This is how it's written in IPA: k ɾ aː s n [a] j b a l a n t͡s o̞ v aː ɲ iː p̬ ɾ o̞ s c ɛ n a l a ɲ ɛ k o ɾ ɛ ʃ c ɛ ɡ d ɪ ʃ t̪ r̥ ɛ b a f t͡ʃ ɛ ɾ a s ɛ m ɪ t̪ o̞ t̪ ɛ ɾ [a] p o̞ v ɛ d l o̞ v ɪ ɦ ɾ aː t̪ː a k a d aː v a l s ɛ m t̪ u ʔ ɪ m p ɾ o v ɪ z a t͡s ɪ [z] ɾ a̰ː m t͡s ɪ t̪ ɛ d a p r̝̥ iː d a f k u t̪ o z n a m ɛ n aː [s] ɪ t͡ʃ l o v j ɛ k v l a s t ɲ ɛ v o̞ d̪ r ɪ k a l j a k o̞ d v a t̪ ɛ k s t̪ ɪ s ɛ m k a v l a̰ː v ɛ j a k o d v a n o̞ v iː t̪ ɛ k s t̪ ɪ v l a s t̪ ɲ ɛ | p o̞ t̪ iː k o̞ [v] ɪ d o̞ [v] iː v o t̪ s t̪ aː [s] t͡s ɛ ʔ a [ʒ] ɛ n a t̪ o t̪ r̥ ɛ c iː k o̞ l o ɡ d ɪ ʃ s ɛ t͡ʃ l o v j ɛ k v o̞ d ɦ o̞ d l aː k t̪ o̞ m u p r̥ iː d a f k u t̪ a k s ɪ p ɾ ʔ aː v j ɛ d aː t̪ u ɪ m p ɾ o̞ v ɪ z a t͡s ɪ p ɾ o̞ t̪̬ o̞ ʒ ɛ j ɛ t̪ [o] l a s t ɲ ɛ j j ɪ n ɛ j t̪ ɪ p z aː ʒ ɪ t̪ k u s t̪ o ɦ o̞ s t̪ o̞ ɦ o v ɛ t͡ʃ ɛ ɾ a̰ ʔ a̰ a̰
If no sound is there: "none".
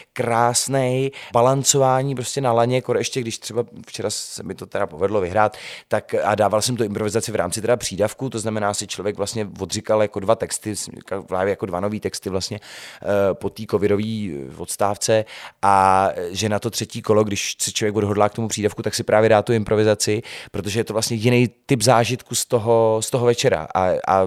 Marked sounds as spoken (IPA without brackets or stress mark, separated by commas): ɛ, a, v, s, v, v, f, ʒ, o